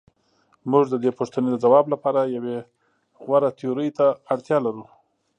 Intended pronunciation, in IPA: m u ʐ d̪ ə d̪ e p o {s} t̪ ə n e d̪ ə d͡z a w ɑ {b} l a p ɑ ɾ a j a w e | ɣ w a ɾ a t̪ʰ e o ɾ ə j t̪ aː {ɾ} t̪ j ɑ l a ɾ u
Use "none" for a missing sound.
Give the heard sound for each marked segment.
ʂ, b, ɽ

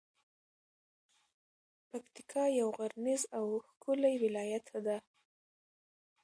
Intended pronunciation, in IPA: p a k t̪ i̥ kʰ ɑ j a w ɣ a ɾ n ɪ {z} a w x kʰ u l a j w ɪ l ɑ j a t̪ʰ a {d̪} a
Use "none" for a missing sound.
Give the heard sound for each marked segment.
z, d̪

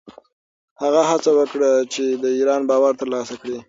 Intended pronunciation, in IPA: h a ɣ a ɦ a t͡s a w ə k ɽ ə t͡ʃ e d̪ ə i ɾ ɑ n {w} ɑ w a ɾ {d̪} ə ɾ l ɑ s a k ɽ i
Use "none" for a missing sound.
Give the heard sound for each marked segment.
b, t̪

